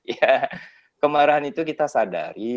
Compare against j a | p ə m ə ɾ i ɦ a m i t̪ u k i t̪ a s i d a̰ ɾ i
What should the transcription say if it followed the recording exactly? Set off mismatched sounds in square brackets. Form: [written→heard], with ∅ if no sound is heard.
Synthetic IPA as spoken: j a | [p→k] ə m [ə→a] ɾ [i→a] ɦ a [m→n] i t̪ u k i t̪ a s [i→a] d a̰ ɾ i